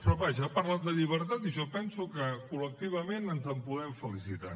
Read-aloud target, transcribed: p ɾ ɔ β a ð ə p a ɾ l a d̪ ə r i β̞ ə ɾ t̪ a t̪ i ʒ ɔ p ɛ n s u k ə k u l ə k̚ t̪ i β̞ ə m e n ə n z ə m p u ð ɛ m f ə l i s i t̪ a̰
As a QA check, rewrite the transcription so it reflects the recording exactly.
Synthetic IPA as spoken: p ɾ ɔ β a ʒ ə p a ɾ l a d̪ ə ʎ i β̞ ə ɾ t̪ a t̪ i ʒ ɔ p ɛ n s u k ə k u l ə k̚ t̪ i β̞ ə m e n ə n z ə m p u ð ɛ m f ə l i s i t̪ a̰